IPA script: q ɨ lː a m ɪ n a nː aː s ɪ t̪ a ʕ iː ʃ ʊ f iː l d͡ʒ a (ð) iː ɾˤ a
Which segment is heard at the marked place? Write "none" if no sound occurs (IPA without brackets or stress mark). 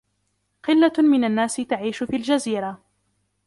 z